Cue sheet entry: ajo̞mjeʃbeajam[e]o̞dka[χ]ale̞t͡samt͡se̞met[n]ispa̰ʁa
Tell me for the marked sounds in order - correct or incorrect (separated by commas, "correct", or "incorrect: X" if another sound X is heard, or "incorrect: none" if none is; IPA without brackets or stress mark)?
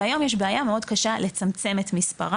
correct, incorrect: ʃ, incorrect: m